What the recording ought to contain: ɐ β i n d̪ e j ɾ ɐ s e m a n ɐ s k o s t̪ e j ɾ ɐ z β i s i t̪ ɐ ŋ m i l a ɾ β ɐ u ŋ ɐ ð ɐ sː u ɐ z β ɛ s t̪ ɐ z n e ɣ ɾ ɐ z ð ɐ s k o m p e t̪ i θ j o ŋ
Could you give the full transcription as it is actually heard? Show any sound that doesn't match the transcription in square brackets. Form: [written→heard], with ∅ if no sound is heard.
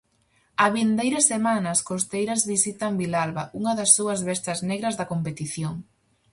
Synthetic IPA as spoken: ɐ β i n d̪ e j ɾ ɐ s e m a n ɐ s k o s t̪ e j ɾ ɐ z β i s i t̪ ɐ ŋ [m→b] i l a [ɾ→l] β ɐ u ŋ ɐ ð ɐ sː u ɐ z β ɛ s t̪ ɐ z n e ɣ ɾ ɐ z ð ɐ [s→∅] k o m p e t̪ i θ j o ŋ